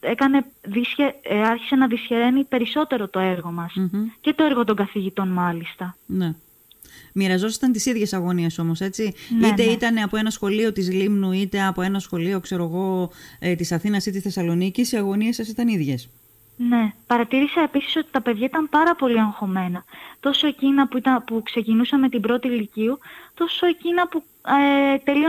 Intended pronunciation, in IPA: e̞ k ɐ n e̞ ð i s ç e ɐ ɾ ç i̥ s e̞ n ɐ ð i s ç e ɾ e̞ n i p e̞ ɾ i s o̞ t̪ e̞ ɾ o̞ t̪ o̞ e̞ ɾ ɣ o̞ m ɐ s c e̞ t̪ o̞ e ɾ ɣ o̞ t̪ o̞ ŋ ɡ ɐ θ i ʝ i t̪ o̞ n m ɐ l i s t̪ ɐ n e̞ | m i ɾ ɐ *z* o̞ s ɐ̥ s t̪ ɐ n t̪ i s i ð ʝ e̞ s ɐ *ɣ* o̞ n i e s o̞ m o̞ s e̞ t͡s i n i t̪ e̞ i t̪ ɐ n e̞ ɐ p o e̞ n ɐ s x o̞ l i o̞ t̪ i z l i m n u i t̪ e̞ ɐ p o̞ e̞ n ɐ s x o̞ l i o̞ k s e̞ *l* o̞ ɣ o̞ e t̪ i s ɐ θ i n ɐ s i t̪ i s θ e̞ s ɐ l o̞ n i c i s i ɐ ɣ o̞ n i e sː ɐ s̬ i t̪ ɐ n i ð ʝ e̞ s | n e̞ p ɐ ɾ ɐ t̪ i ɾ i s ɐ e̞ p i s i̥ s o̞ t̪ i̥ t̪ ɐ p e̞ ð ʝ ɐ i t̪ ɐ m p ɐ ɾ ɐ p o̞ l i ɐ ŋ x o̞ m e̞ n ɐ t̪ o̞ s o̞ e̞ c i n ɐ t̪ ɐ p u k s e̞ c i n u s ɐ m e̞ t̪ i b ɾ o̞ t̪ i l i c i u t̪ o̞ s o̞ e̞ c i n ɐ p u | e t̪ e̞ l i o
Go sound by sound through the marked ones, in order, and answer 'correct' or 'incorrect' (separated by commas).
correct, correct, incorrect